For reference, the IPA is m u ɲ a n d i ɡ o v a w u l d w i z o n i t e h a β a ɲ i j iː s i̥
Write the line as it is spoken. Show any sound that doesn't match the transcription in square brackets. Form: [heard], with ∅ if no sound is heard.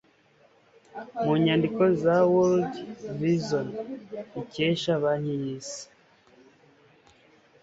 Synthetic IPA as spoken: m u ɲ a n d i [k] o [z] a w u l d [v] i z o n i [c] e [ʃ] a β a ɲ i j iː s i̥